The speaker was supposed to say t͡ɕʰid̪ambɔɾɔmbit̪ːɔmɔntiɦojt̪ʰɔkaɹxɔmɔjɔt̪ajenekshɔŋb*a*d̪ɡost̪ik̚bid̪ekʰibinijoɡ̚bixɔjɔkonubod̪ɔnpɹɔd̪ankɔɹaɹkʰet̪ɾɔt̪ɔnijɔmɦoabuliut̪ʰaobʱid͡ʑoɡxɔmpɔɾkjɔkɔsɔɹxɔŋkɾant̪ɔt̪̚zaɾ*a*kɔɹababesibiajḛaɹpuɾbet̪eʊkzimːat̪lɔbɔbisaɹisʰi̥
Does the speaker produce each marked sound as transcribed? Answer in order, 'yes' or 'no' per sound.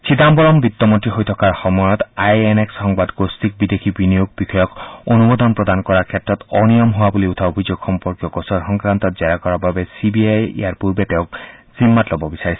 yes, yes

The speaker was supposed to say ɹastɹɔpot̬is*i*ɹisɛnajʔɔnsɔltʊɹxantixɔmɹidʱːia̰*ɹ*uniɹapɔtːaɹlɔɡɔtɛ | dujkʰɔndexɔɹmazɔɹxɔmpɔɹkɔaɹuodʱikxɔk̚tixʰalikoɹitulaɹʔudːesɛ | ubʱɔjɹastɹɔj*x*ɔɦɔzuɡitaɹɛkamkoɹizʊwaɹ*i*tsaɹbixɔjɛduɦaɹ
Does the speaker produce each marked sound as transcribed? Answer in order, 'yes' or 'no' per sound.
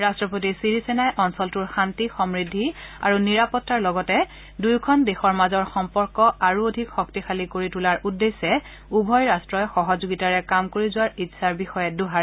yes, yes, yes, yes

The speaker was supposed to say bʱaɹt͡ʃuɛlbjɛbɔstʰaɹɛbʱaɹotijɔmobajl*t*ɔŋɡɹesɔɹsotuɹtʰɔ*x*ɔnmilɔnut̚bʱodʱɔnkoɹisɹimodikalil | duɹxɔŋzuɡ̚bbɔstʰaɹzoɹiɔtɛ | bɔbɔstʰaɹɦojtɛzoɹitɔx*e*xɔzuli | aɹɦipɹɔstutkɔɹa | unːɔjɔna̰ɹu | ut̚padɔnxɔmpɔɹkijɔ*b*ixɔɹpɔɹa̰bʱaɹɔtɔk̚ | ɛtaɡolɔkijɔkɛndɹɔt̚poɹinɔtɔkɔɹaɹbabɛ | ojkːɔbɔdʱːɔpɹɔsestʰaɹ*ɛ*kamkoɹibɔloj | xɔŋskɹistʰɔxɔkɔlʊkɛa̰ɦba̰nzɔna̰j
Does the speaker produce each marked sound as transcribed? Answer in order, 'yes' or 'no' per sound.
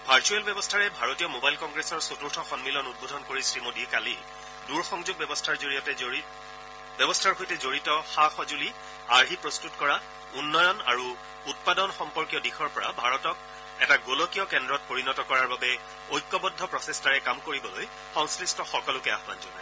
no, yes, no, no, yes

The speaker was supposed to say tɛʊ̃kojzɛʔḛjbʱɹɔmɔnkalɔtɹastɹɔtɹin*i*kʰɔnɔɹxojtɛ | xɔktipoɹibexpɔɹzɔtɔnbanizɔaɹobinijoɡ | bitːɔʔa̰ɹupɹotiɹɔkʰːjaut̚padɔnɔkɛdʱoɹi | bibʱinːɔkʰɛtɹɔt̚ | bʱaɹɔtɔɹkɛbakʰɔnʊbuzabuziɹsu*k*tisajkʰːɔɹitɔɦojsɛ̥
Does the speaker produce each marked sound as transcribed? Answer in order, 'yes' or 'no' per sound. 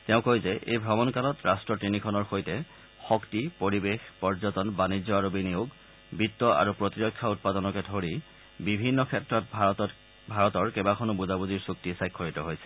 yes, yes

